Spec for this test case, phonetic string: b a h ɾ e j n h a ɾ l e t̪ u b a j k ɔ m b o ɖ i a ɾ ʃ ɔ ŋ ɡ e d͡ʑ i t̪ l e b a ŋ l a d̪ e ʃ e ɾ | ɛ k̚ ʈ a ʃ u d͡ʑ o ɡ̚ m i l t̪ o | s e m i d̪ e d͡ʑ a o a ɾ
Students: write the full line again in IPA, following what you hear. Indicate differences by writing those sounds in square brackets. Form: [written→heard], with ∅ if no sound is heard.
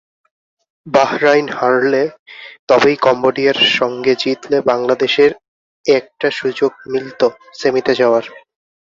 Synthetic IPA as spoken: b a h ɾ [e→a] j n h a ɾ l e t̪ [u→ɔ] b [a→e] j k ɔ m b o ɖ i a ɾ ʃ ɔ ŋ ɡ e d͡ʑ i t̪ l e b a ŋ l a d̪ e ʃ e ɾ | ɛ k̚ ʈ a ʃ u d͡ʑ o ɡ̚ m i l t̪ o | s e m i [d̪→t̪] e d͡ʑ a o a ɾ